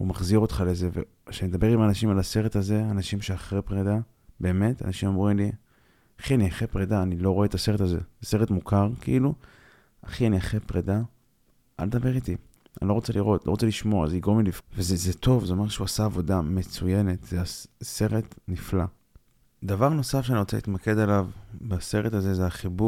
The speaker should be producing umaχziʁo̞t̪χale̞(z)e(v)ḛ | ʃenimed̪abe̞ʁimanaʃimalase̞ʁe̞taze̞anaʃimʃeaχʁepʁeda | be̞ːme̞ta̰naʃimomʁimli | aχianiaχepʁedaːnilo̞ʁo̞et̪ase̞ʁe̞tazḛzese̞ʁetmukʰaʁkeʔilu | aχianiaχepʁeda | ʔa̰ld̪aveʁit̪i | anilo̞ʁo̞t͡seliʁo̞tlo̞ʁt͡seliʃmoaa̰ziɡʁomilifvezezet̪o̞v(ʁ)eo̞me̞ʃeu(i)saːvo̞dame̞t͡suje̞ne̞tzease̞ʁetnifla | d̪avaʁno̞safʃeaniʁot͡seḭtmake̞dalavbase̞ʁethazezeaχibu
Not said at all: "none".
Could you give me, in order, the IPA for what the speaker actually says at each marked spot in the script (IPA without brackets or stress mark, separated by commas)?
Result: z, v, z, a